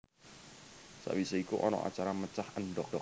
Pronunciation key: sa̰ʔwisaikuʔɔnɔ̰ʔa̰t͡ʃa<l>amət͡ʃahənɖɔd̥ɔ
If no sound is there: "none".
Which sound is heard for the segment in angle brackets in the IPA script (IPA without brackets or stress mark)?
ɾ